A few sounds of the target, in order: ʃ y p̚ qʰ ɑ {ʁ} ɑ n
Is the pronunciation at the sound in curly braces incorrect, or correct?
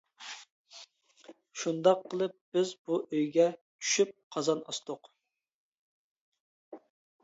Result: incorrect